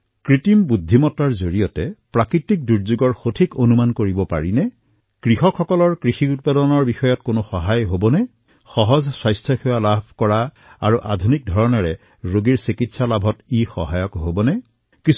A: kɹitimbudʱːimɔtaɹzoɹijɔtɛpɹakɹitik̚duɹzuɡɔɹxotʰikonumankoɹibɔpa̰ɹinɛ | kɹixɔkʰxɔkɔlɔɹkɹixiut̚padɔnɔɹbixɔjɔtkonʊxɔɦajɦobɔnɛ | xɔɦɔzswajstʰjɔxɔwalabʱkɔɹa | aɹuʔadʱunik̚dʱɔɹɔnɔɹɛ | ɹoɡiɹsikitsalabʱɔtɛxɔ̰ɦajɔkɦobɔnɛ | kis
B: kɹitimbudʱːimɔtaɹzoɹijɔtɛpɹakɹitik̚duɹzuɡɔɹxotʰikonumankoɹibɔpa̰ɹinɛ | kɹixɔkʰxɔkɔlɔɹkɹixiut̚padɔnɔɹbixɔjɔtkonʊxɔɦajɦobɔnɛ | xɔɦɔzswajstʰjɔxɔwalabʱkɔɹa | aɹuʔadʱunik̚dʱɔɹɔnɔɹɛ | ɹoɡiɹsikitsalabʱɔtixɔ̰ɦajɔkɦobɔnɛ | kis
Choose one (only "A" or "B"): B